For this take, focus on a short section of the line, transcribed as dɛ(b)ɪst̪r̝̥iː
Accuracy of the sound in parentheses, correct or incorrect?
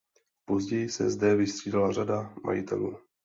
incorrect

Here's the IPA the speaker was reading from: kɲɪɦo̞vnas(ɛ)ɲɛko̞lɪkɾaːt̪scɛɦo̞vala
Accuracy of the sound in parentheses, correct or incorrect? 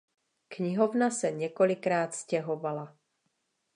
correct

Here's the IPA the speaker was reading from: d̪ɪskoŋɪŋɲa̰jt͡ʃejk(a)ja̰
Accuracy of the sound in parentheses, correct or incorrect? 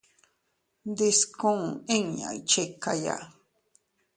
correct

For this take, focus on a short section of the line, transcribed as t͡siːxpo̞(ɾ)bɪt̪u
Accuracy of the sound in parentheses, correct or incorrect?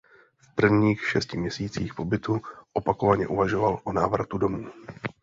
incorrect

